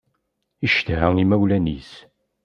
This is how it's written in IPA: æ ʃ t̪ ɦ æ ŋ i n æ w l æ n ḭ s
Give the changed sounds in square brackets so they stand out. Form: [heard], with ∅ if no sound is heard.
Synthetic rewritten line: [i] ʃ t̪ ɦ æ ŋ i [m] æ w l æ n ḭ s

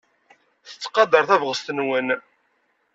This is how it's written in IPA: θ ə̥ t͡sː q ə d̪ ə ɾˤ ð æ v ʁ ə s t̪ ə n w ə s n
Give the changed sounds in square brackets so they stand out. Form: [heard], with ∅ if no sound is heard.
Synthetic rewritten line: θ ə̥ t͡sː q [ɑ] d̪ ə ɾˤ [θ] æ v ʁ ə s t̪ ə n w ə [∅] n

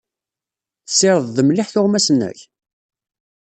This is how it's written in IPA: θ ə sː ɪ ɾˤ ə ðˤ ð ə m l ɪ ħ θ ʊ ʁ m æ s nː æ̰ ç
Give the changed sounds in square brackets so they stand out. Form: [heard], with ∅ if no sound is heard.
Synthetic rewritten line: θ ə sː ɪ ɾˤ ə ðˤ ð ə m l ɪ ħ θ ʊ ʁ m æ s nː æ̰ ç

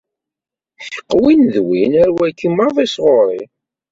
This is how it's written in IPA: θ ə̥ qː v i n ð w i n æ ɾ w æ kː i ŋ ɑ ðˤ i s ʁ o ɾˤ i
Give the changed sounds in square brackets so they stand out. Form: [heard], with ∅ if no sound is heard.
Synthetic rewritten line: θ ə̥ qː [w] i n ð w i n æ ɾ w æ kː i [m] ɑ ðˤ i s ʁ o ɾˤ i

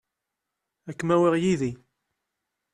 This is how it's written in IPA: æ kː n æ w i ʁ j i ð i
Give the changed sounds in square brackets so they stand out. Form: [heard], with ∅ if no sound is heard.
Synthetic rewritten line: æ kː [m] æ w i ʁ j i ð i

